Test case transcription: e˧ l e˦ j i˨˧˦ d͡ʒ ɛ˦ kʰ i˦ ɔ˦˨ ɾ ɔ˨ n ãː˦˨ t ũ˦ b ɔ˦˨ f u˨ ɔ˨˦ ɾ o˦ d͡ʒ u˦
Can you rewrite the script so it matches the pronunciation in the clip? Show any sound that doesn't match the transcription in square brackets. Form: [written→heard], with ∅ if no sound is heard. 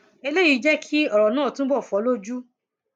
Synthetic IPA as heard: e˧ l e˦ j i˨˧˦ d͡ʒ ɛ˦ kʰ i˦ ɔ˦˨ ɾ ɔ˨ n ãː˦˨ t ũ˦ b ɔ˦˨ f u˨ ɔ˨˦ [ɾ→l] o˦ d͡ʒ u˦